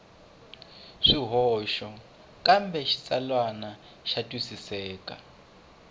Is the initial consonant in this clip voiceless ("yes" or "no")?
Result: yes